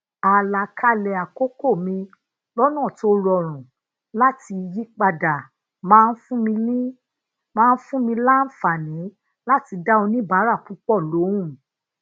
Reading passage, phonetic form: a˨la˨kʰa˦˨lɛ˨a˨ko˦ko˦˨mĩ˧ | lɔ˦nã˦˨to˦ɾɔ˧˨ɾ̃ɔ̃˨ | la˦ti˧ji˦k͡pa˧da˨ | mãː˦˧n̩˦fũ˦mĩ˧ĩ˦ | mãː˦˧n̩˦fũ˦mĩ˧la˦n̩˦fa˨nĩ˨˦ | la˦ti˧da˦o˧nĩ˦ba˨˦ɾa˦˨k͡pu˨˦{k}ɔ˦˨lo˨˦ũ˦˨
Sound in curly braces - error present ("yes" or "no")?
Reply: yes